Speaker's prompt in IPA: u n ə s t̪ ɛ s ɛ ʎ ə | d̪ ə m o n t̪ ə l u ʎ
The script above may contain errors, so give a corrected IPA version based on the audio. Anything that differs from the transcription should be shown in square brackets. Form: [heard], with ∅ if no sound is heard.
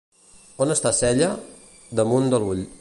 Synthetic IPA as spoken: [o] n ə s t̪ [a] s ɛ ʎ ə | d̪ ə m [u] n [d̪] ə l u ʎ